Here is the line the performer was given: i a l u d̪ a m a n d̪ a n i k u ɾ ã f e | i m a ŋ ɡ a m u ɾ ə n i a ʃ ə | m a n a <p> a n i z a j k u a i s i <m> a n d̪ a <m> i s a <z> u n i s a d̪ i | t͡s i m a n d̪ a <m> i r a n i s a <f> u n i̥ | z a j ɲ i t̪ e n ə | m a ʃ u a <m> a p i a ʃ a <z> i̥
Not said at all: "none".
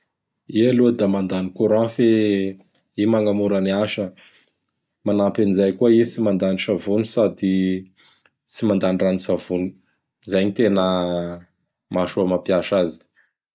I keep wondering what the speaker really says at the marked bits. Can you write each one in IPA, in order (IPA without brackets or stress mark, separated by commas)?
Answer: p, m, n, v, n, v, m, z